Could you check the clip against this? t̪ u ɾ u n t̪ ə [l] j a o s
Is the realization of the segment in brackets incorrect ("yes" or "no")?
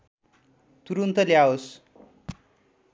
no